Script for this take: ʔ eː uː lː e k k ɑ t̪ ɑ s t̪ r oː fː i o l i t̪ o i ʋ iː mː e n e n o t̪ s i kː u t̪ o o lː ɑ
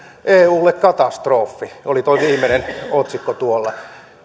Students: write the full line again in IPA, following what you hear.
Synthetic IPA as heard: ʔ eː uː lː e k k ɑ t̪ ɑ s t̪ r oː fː i o l i t̪ o i ʋ iː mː e n e n o t̪ s i kː o t̪ u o lː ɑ